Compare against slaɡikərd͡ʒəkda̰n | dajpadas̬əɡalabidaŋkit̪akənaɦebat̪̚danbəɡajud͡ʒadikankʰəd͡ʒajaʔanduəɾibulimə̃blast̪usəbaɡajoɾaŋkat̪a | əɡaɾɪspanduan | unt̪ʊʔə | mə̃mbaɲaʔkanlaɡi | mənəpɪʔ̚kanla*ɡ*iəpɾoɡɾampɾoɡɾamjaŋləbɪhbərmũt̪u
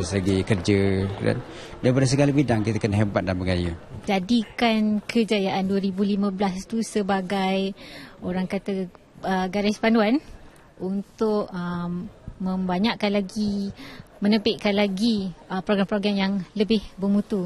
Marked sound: correct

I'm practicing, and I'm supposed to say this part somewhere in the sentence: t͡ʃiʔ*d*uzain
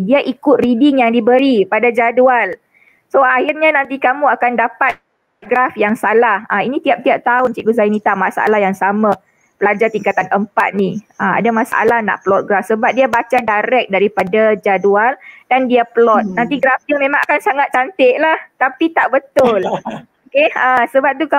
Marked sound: incorrect: ɡ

